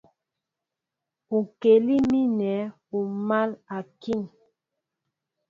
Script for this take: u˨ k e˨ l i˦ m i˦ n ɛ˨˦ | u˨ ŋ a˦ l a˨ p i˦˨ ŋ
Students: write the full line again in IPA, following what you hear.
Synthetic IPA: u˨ k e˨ l i˦ m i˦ n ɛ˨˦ | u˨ m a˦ l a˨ k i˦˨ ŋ